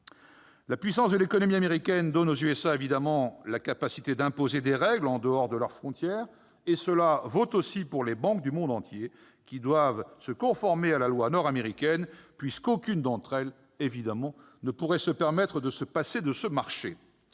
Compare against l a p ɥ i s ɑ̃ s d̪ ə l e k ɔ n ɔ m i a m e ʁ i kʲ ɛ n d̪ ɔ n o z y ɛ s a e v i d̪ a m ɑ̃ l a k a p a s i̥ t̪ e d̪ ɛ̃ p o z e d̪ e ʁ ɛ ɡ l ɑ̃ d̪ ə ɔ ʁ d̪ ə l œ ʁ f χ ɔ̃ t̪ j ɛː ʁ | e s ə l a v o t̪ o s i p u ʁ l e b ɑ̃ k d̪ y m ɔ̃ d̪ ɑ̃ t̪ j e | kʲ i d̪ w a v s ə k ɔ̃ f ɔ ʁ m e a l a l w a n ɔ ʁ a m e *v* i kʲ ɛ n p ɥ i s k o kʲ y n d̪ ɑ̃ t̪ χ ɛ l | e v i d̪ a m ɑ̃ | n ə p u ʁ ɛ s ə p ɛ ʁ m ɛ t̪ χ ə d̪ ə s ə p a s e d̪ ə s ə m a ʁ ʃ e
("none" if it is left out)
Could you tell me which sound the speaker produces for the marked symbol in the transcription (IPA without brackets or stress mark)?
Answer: ʁ